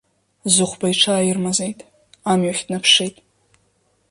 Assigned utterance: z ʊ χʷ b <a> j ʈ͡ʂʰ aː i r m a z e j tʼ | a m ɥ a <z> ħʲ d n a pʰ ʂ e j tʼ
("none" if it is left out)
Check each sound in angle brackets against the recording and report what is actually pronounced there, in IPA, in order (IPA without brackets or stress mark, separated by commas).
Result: a, none